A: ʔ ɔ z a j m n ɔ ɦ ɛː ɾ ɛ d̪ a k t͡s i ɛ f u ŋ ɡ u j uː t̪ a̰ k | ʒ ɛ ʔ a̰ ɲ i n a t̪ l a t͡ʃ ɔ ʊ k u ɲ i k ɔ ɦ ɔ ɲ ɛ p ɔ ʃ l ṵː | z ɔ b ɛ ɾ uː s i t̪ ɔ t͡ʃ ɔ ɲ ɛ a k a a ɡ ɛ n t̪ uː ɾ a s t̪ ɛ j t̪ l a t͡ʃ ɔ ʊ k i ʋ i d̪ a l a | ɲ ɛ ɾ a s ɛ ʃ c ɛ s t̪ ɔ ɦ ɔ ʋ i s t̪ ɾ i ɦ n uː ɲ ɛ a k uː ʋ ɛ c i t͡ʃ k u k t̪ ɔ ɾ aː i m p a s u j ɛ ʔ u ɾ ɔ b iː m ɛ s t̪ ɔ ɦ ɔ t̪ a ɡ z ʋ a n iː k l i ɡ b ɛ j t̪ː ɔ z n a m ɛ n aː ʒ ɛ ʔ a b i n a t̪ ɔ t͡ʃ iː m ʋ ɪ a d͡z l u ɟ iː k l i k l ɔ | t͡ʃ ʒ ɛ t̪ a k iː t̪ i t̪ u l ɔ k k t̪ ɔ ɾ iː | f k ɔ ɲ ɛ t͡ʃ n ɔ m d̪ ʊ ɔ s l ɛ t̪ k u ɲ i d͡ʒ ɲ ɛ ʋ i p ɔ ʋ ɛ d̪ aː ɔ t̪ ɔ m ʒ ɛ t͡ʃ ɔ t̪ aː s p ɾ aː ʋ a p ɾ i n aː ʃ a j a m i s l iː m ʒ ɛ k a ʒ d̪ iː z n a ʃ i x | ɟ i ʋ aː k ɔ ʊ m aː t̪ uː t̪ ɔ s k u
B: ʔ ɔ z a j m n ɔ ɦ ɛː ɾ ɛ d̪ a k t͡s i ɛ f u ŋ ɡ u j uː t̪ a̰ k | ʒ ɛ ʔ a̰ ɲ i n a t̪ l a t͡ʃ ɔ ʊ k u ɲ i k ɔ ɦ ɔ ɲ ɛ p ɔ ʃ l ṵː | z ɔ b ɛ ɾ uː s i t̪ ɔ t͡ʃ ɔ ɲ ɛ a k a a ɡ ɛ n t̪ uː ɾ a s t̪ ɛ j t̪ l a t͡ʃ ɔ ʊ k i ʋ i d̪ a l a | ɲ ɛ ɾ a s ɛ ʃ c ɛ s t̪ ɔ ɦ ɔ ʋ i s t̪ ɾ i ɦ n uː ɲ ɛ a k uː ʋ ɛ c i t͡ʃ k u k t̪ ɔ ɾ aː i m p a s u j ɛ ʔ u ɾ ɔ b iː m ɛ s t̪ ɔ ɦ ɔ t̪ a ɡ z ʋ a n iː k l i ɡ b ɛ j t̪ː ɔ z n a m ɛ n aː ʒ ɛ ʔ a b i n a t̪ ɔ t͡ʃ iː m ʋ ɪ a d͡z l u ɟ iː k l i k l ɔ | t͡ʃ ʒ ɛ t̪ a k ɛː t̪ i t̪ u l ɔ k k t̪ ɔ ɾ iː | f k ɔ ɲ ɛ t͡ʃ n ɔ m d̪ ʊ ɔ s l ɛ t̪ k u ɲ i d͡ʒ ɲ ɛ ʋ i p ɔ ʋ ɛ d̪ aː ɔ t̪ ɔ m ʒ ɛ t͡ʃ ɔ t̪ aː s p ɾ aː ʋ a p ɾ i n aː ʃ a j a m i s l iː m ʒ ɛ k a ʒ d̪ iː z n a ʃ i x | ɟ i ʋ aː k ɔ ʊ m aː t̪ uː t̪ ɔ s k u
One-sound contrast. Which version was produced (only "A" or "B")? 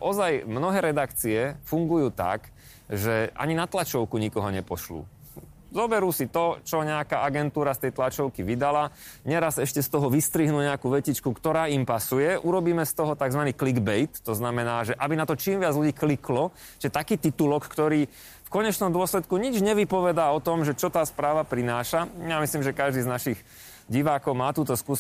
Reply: A